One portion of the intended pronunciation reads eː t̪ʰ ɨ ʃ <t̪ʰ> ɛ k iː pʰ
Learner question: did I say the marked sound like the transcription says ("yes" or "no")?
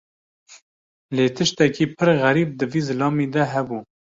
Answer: no